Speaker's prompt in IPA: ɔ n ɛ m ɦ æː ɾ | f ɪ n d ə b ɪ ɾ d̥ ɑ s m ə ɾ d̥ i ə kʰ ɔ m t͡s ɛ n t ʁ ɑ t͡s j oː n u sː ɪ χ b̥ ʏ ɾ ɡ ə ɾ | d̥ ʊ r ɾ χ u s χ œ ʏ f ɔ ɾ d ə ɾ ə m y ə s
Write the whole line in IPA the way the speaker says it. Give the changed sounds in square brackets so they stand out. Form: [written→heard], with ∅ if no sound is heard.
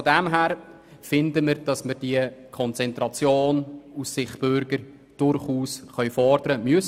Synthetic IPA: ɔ [n→d] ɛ m ɦ æː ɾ | f ɪ n d ə [b→m] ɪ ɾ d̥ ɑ s m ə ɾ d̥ i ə kʰ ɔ [m→n] t͡s ɛ n t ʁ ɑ t͡s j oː n u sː ɪ χ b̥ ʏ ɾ ɡ ə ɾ | d̥ ʊ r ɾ χ [u→uː] s χ œ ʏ f ɔ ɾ d ə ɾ ə m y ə s

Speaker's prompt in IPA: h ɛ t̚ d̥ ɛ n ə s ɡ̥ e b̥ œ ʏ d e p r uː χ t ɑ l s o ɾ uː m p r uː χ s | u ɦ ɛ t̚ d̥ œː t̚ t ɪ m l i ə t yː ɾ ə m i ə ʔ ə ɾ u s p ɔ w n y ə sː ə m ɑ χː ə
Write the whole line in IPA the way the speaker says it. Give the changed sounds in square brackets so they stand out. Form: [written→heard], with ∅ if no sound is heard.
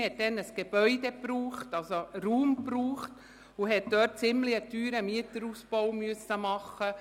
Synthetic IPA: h ɛ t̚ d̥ ɛ n ə s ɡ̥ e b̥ œ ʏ d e p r uː χ t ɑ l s o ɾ uː m p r uː χ [s→t] | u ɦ ɛ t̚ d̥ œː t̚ [t→t͡s] ɪ m l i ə t yː ɾ ə m i ə [ʔ→t] ə ɾ u s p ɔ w [n→m] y ə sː ə m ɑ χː ə

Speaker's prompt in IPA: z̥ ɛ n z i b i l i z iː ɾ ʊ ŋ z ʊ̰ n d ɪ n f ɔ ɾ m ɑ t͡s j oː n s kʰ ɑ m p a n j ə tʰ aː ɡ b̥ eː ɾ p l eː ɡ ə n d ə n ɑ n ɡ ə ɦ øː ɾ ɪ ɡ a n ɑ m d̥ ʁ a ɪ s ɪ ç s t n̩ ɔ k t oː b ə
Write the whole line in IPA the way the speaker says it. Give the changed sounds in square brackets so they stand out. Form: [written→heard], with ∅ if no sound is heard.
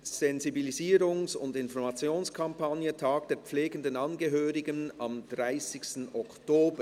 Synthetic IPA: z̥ ɛ n z i b i l i z iː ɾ ʊ ŋ [z→s] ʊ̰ n d ɪ n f ɔ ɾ m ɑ t͡s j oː n s kʰ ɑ m p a n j ə tʰ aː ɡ [b̥→d̥] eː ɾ [p→p͡f] l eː ɡ ə n d ə n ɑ n ɡ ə ɦ øː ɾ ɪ ɡ [a→ə] n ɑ m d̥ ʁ a ɪ s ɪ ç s t n̩ ɔ k t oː b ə

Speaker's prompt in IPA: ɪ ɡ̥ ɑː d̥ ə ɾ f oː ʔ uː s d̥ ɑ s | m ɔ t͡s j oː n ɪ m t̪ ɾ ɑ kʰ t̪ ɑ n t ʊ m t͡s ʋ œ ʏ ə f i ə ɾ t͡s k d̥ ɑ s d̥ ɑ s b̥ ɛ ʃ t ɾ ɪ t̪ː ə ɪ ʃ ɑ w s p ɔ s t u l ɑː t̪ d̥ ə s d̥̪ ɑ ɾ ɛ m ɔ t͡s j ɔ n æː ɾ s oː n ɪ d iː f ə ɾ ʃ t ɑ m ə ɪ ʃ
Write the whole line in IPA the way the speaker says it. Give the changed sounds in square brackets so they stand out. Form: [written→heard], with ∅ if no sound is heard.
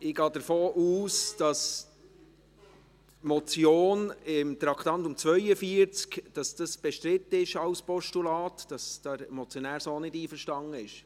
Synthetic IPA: ɪ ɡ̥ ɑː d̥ ə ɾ f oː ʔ uː s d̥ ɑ s | m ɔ t͡s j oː n ɪ m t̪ ɾ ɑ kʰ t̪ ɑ n t ʊ m t͡s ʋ œ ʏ ə f i ə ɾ t͡s k d̥ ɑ s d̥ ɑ s b̥ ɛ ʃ t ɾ ɪ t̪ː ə ɪ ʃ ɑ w s p ɔ [s→ʃ] t u l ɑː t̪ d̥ [ə→ɑ] s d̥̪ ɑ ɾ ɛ m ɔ t͡s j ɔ n æː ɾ s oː n ɪ d iː f ə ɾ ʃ t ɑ [m→ŋ] ə ɪ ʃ

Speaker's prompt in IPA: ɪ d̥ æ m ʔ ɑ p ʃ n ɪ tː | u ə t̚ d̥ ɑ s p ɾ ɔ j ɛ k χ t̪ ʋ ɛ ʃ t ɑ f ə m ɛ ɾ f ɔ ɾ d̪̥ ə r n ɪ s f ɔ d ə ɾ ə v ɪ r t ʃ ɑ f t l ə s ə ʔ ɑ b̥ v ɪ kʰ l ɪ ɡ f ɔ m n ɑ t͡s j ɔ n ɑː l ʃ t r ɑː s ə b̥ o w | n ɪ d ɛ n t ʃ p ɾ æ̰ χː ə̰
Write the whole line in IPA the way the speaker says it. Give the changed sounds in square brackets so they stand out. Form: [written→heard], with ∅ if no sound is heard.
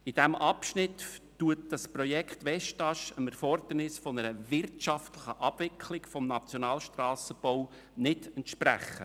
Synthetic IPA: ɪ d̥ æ m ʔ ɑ p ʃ n ɪ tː | u ə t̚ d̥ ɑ s p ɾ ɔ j ɛ k χ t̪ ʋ ɛ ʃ t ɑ [f→ʃ] ə m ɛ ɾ f ɔ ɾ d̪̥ ə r n ɪ s f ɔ [d→n] ə ɾ ə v ɪ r t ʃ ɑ f t l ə [s→χ] ə ʔ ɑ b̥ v ɪ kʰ l ɪ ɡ f ɔ m n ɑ t͡s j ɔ n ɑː l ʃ t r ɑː s ə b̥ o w | n ɪ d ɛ n t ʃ p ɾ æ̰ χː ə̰

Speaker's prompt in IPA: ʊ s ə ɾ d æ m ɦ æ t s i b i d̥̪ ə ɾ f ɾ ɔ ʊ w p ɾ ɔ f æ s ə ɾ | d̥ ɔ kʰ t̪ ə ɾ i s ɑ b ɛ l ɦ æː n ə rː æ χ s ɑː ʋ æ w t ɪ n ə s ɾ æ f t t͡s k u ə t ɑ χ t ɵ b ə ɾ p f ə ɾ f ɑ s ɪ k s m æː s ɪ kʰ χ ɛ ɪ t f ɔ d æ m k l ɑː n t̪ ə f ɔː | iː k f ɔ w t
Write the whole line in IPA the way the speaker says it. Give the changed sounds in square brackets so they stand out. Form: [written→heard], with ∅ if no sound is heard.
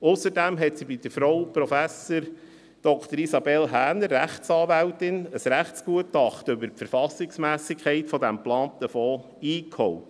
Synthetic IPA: ʊ s ə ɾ d æ m ɦ [æ→ɛ] t s i b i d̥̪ ə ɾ f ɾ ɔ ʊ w p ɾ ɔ f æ s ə ɾ | d̥ ɔ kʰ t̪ ə ɾ i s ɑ b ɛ l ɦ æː n ə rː æ χ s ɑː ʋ æ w t ɪ n ə s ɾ æ [f→χ] t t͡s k u ə t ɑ χ t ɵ b ə ɾ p f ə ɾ f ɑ s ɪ k s m æː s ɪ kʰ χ ɛ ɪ t f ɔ d æ m [k→p] l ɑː n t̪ ə f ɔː | iː k [f→h] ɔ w t

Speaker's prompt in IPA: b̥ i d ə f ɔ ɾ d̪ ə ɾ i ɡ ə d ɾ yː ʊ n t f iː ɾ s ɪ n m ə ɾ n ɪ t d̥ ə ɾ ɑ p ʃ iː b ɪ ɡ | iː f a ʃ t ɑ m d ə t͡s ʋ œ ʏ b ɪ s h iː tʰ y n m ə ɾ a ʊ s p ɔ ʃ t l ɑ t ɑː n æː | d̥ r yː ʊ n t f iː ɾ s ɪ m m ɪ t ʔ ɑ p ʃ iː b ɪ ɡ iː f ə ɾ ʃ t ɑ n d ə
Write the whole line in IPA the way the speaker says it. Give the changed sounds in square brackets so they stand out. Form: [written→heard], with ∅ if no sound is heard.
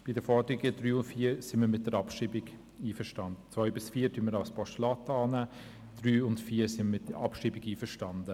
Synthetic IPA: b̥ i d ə f ɔ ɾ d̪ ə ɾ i ɡ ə d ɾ yː ʊ n t f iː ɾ s ɪ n m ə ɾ [n→m] ɪ t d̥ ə ɾ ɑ p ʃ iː b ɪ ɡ | iː f [a→ə] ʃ t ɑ [m→n] d ə t͡s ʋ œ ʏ b ɪ s [h→f] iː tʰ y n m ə ɾ a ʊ s p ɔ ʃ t l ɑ t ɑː n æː | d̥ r yː ʊ n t f iː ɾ s ɪ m m ɪ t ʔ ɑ p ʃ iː b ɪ ɡ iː f ə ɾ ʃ t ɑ n d ə

